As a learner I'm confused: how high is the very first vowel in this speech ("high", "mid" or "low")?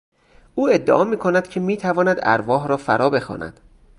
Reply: high